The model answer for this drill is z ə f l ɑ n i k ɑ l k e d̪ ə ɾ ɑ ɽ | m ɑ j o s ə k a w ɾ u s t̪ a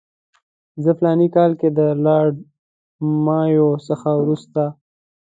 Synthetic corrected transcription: z ə f l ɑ n i k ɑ l k e d̪ ə l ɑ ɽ | m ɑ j o s ə x a w ɾ u s t̪ a